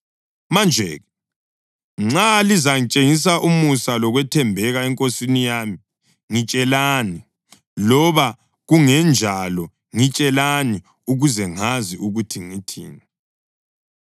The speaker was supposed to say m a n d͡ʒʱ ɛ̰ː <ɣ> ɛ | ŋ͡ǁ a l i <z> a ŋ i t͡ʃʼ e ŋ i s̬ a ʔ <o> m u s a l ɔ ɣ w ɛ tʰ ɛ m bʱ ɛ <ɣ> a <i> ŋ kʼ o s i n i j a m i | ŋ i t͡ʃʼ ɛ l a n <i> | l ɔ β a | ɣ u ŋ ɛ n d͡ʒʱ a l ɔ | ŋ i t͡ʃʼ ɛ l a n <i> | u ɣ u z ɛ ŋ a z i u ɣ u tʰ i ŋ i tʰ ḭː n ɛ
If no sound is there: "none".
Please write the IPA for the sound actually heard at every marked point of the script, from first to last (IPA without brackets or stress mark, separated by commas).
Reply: ɣ, z, u, ɣ, ɛ, i, i